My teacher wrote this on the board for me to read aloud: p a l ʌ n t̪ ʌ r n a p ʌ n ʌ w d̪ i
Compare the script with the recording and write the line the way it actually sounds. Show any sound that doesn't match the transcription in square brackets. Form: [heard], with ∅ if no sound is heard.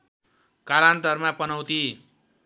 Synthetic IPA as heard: [k] a l [a] n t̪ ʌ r [m] a p ʌ n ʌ w [t̪] i